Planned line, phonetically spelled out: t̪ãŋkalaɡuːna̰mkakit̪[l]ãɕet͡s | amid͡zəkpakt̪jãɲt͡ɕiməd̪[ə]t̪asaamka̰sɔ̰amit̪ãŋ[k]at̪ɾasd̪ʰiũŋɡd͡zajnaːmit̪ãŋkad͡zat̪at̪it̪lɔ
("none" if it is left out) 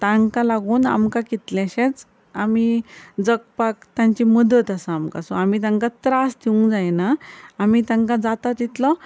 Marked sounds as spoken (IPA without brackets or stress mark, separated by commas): l, ə, k